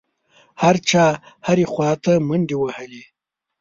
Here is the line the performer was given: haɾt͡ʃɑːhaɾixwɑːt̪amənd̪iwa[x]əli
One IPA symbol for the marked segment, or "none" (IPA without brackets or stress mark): h